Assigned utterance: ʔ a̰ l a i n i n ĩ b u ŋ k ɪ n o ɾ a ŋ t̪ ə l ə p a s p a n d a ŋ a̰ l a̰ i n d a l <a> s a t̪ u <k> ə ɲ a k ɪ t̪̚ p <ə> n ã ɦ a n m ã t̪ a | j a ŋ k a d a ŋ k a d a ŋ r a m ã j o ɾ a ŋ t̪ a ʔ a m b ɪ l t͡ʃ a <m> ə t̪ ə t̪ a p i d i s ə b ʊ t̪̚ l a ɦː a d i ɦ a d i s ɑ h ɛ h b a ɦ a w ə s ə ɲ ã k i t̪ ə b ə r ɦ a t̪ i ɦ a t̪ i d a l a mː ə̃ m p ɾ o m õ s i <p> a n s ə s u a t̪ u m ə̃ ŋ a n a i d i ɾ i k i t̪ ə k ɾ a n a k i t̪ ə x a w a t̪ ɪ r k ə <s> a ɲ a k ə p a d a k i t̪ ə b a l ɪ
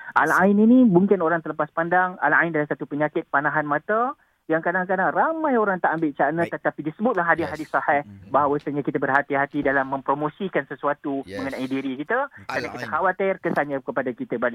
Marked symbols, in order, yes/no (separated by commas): yes, no, no, no, no, yes